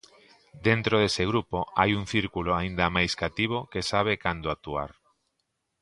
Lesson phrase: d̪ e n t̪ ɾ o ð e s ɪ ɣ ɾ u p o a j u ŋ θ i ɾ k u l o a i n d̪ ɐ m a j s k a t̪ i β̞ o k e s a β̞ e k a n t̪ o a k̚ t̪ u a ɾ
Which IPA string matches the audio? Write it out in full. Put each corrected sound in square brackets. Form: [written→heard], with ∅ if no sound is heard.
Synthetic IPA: d̪ e n t̪ ɾ o ð e s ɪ ɣ ɾ u p o a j u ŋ θ i ɾ k u l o a i n d̪ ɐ m a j s k a t̪ i β̞ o k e s a β̞ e k a n [t̪→d̪] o a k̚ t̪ u a ɾ